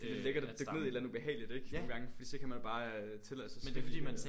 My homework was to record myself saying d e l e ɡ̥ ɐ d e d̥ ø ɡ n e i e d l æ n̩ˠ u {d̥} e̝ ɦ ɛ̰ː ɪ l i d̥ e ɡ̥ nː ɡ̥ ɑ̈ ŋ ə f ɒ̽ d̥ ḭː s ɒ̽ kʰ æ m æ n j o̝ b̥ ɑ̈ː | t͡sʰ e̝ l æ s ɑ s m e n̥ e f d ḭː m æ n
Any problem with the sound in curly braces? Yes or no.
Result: yes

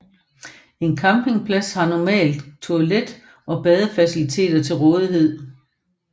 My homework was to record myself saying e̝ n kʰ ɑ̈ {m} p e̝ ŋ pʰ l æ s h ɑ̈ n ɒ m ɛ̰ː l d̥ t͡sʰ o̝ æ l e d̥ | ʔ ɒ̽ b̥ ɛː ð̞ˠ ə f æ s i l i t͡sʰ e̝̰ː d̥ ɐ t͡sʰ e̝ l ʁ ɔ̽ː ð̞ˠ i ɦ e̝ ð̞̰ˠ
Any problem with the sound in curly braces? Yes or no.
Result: no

